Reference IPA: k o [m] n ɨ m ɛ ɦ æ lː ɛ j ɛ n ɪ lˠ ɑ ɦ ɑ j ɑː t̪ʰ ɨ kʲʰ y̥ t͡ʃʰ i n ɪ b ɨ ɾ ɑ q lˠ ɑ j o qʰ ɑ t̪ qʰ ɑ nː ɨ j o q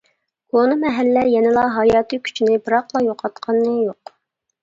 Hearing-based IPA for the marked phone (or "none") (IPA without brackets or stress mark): none